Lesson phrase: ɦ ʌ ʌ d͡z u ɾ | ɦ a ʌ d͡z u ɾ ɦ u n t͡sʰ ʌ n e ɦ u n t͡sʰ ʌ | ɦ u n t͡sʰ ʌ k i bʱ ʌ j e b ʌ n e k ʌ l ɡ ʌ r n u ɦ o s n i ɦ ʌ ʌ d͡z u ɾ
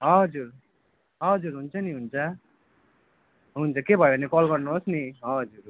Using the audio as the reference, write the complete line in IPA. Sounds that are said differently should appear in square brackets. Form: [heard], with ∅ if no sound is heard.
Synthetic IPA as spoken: ɦ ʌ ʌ d͡z u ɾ | ɦ [ʌ] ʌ d͡z u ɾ ɦ u n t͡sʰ ʌ n [i] ɦ u n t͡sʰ ʌ | ɦ u n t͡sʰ ʌ k [e] bʱ ʌ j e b ʌ n e k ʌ l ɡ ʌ r n u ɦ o s n i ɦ ʌ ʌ d͡z u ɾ